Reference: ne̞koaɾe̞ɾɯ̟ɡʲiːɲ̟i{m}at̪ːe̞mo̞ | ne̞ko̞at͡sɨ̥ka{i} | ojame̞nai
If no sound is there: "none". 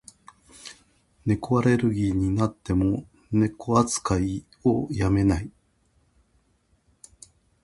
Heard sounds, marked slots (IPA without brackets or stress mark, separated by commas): n, i